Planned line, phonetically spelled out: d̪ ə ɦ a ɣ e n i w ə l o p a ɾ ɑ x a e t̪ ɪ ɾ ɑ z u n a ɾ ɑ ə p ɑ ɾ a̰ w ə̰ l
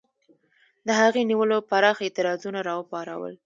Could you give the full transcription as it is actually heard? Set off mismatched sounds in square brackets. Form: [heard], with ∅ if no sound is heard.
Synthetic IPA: d̪ ə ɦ a ɣ e n i w ə l o p a ɾ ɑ x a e t̪ ɪ ɾ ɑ z u n a ɾ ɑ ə p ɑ ɾ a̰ w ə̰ l